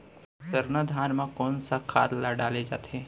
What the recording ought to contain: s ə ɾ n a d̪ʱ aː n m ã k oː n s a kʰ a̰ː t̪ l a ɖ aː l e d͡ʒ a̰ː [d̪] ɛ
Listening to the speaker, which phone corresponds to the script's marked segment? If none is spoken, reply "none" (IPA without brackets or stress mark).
t̪